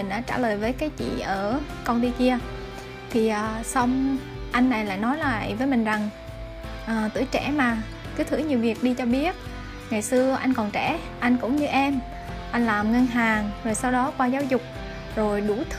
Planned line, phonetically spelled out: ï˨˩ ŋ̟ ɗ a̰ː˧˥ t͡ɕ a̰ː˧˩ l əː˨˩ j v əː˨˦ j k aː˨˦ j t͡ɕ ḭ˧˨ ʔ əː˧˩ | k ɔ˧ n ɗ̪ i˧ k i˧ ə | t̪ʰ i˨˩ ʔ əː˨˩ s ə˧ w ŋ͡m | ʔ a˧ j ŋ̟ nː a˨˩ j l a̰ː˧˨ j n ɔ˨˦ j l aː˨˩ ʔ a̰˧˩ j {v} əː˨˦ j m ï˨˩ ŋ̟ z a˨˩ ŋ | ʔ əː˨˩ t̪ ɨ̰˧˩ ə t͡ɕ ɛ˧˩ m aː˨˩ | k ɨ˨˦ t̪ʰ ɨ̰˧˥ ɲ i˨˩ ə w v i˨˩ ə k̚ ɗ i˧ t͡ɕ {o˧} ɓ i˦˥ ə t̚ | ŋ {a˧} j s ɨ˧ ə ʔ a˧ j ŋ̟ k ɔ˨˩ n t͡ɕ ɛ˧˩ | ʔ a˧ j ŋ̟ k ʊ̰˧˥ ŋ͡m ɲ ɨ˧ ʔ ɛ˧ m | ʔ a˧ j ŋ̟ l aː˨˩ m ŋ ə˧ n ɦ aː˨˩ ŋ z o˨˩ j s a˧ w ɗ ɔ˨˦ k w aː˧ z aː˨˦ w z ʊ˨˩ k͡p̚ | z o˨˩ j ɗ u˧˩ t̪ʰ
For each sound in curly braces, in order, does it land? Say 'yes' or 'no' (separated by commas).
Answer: yes, no, no